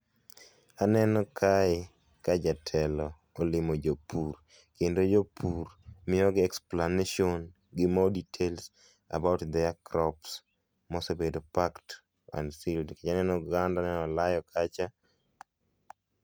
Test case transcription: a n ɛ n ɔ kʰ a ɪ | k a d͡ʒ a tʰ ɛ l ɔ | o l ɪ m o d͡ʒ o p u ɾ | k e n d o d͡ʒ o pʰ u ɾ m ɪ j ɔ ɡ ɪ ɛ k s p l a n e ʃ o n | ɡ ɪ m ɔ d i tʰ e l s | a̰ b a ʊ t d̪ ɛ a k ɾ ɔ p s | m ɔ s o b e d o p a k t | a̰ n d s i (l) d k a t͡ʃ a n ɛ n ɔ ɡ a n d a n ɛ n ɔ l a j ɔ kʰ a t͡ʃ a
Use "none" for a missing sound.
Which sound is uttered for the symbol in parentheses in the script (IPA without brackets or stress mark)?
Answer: l